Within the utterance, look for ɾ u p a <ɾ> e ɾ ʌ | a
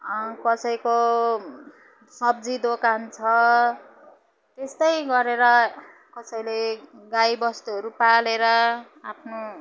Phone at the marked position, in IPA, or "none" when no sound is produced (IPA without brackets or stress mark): l